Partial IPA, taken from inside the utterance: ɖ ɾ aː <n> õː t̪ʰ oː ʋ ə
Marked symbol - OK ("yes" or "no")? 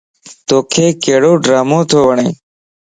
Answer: no